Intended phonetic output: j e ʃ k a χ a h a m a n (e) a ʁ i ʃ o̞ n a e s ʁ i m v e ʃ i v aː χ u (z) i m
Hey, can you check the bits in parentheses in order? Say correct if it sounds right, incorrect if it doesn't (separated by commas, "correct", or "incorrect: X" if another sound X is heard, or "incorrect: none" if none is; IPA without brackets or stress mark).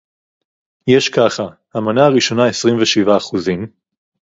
incorrect: a, correct